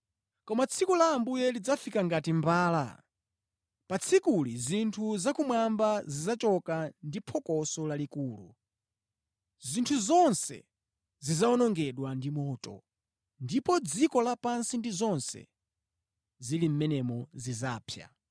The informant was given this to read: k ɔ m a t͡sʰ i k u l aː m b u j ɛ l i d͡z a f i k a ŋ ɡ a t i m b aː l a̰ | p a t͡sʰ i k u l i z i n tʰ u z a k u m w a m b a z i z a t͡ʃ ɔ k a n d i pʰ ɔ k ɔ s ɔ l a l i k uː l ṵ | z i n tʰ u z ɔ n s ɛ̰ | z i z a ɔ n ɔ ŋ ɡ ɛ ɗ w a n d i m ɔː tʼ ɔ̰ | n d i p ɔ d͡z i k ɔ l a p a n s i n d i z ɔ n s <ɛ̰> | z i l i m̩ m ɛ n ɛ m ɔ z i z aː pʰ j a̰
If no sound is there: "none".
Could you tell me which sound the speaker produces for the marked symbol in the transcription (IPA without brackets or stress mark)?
ɛ̰